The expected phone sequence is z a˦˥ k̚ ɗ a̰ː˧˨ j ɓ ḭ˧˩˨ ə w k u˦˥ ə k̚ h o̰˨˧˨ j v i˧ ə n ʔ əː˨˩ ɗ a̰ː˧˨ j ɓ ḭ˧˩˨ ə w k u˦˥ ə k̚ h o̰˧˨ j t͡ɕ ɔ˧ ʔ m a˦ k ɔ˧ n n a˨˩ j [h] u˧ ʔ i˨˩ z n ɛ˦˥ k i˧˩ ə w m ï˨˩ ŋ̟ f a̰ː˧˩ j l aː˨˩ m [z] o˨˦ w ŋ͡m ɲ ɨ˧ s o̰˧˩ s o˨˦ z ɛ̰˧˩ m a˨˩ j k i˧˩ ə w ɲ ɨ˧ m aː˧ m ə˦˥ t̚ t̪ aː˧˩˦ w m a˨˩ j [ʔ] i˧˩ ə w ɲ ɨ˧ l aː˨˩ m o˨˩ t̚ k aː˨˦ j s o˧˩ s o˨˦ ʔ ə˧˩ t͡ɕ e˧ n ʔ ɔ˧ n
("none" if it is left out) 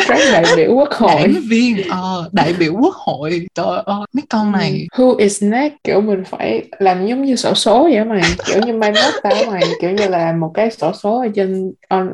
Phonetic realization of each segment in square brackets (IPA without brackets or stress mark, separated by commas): h, z, k